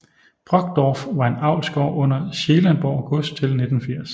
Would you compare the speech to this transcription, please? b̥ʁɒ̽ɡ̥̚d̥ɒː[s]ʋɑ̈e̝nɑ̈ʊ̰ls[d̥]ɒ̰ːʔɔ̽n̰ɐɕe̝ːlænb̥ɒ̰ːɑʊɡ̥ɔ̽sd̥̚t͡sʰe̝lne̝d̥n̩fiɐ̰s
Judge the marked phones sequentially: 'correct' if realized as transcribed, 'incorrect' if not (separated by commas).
incorrect, incorrect